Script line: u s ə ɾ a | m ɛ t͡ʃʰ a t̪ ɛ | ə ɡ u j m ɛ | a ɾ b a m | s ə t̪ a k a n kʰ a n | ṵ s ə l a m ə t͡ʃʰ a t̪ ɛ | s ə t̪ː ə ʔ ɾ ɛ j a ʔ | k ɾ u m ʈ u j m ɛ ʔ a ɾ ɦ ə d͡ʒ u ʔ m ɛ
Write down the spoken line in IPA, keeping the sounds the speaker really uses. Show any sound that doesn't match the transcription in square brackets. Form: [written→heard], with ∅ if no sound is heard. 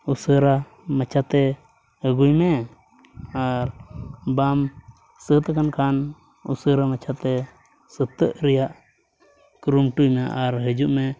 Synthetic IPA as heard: u s ə ɾ a | m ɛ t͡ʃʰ a t̪ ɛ | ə ɡ u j m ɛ | a ɾ b a m | s ə t̪ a k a n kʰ a n | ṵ s ə [l→ɾ] a m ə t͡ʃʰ a t̪ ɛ | s ə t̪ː ə ʔ ɾ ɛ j a ʔ | k ɾ u m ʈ u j m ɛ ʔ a ɾ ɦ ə d͡ʒ u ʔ m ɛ